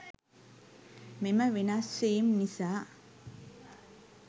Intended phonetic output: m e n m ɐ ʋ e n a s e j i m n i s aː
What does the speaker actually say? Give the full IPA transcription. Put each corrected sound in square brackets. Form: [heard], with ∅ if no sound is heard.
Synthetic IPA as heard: m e [∅] m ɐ ʋ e n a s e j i m n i s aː